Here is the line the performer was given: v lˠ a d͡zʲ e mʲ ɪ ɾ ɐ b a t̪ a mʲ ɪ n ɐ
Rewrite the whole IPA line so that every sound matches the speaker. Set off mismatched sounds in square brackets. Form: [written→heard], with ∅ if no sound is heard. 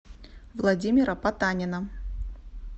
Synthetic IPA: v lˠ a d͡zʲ [e→i] mʲ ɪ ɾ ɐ [b→p] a t̪ a [mʲ→nʲ] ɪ n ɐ